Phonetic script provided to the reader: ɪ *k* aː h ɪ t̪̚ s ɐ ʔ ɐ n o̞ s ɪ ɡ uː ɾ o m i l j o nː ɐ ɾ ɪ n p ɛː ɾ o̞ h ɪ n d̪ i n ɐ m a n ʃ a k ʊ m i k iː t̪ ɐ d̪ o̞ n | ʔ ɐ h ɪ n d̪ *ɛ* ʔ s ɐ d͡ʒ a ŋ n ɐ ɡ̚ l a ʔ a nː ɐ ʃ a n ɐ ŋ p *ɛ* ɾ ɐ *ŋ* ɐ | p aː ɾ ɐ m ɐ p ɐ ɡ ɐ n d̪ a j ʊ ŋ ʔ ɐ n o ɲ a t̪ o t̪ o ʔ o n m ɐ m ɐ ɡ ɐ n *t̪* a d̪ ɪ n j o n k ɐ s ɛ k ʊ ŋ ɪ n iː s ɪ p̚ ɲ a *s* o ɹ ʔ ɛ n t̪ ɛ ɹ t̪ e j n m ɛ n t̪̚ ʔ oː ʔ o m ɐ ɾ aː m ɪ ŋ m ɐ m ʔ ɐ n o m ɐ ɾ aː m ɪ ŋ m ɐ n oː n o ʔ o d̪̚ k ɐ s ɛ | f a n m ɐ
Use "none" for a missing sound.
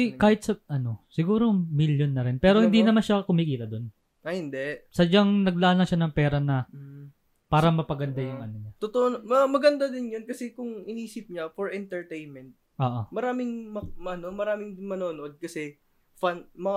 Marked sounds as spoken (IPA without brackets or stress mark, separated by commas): k, ɛ, ɛː, n, d̪, f